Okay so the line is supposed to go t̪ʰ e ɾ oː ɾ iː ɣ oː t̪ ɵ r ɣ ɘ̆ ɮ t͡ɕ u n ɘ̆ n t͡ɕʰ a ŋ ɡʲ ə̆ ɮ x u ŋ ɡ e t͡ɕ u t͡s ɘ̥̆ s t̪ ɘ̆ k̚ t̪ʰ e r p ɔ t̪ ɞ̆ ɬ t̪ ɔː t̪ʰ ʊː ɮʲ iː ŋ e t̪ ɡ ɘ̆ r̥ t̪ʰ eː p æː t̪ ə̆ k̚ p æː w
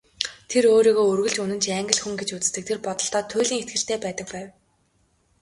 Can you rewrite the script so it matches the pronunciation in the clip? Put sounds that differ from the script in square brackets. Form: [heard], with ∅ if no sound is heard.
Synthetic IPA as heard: t̪ʰ e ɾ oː ɾ iː ɣ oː [∅] ɵ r ɣ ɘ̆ ɮ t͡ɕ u n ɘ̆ n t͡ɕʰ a ŋ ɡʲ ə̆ ɮ x u ŋ ɡ e t͡ɕ u t͡s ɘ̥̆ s t̪ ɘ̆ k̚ t̪ʰ e r p ɔ t̪ ɞ̆ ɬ t̪ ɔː t̪ʰ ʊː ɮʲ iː ŋ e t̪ ɡ ɘ̆ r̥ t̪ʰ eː p æː t̪ ə̆ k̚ p æː w